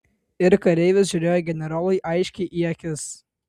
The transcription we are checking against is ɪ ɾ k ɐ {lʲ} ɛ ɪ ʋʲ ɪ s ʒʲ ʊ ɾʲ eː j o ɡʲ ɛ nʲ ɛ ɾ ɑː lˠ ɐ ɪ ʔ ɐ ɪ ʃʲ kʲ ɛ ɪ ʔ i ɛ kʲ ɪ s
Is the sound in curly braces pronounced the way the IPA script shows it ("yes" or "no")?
no